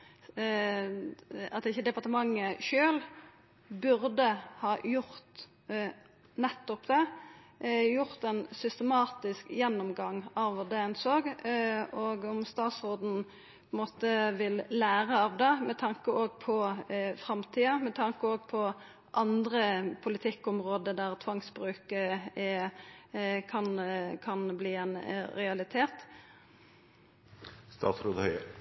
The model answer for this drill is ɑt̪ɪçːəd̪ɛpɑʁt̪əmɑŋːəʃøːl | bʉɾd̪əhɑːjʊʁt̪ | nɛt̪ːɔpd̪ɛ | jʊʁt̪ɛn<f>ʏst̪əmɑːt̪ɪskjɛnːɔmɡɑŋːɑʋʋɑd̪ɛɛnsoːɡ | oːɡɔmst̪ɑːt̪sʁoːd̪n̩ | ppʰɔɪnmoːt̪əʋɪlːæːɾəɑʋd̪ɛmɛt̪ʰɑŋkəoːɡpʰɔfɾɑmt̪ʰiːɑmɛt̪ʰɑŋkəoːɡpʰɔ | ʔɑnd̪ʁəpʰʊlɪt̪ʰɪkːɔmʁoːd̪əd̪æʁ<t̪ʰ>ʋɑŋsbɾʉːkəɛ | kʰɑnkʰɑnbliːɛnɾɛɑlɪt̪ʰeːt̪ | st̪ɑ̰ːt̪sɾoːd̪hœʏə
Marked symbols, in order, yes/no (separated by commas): no, yes